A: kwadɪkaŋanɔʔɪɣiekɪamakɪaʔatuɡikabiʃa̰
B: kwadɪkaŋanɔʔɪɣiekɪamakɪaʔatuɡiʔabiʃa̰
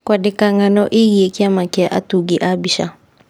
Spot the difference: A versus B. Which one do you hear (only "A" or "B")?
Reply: B